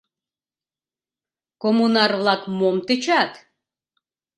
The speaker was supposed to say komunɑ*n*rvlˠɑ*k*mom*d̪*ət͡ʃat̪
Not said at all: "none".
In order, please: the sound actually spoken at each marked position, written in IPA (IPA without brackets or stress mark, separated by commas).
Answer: none, k, t̪